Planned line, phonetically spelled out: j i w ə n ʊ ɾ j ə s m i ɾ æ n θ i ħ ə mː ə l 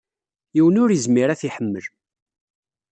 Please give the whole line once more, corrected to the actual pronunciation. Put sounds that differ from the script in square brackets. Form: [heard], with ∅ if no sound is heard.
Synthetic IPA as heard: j i w ə n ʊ ɾ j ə [z] m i ɾ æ [∅] θ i ħ ə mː ə l